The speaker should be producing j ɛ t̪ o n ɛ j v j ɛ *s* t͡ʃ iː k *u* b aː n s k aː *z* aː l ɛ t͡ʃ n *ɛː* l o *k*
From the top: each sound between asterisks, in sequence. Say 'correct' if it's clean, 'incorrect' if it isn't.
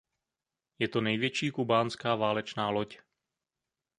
incorrect, correct, incorrect, incorrect, incorrect

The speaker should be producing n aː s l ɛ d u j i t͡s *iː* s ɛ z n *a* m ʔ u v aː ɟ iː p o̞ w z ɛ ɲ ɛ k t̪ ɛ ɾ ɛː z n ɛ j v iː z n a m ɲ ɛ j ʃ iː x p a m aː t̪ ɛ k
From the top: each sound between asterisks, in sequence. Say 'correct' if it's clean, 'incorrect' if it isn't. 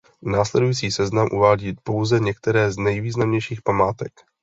correct, correct

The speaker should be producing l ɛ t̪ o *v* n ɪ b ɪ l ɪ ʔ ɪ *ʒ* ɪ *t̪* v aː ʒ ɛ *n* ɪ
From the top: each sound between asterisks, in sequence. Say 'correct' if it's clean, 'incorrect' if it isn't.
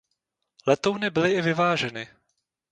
incorrect, incorrect, incorrect, correct

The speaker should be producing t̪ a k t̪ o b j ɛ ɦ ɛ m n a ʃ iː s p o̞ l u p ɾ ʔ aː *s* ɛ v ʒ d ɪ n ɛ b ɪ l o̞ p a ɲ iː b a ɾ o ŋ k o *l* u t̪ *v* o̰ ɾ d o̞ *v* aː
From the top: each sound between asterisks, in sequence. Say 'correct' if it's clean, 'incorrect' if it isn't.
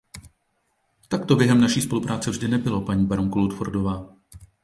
incorrect, correct, incorrect, correct

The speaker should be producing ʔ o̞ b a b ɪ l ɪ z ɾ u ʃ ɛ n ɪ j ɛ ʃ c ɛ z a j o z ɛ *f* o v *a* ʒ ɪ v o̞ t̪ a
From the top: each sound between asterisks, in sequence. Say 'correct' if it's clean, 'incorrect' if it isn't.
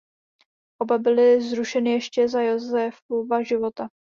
correct, correct

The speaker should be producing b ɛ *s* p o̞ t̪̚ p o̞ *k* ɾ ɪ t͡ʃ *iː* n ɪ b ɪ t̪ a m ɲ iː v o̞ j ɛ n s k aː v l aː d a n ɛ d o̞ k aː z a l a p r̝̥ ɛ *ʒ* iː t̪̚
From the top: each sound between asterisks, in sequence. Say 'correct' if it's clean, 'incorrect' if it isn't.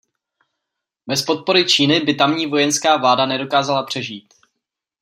correct, incorrect, correct, correct

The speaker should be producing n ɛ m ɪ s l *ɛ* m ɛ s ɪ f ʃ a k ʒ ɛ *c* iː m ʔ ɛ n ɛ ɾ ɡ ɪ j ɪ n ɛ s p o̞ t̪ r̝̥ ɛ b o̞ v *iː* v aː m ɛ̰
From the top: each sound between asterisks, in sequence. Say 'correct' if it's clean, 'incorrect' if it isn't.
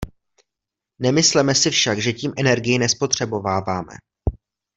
correct, correct, incorrect

